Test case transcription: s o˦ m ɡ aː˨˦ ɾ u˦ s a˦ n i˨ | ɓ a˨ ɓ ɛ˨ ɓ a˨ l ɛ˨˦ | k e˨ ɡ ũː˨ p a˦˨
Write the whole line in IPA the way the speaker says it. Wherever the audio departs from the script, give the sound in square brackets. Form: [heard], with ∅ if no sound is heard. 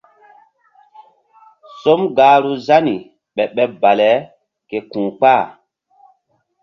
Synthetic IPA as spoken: s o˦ m ɡ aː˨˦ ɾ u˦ [z] a˦ n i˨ | ɓ [ɛ˨] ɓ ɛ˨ [b] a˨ l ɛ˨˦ | k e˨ [k] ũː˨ [k͡p] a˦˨